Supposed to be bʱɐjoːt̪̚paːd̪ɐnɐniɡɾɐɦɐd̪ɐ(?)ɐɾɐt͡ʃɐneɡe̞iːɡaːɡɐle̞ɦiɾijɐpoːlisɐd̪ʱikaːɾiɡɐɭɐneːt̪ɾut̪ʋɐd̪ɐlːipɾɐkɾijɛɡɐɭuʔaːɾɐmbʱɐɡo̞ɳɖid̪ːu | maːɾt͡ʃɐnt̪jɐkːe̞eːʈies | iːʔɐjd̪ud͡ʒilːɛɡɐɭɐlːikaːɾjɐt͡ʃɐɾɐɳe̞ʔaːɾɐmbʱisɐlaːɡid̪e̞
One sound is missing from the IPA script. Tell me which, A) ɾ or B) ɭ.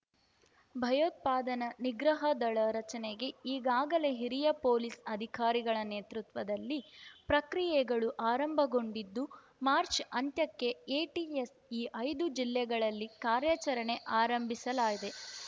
B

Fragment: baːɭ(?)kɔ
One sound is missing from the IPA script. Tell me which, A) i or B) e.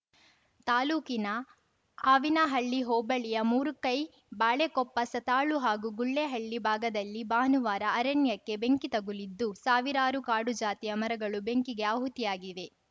B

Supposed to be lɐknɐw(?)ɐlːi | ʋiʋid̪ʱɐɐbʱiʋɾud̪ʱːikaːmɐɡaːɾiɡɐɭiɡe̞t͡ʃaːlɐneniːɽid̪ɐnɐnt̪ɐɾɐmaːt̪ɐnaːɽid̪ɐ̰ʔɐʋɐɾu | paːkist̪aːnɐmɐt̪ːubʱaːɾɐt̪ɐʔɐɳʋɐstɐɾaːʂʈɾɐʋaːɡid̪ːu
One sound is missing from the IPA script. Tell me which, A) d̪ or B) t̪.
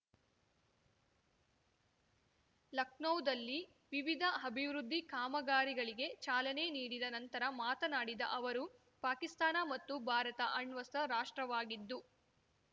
A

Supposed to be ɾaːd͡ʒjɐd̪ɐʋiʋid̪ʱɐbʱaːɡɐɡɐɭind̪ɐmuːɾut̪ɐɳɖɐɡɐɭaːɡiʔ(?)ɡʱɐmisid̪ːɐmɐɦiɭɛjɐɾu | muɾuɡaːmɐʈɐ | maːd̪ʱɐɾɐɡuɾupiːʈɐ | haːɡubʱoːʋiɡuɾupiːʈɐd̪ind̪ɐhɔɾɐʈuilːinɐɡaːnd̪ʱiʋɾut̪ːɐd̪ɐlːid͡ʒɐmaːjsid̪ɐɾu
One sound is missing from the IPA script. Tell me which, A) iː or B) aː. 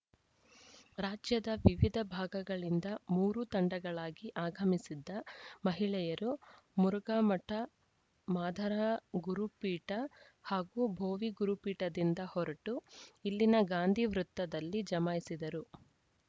B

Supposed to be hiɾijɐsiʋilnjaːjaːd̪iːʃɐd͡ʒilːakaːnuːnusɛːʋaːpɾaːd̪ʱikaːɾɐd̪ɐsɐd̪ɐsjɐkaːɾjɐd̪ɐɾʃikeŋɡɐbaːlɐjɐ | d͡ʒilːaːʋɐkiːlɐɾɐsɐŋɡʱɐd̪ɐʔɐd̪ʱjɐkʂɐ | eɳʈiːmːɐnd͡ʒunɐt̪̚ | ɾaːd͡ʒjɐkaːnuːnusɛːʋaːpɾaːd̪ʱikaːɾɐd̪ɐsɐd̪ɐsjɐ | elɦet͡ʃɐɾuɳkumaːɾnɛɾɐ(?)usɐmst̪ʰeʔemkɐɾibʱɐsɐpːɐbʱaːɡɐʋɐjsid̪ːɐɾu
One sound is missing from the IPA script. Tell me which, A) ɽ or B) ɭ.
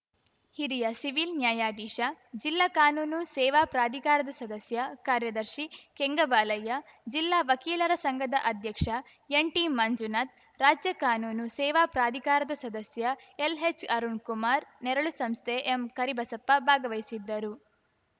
B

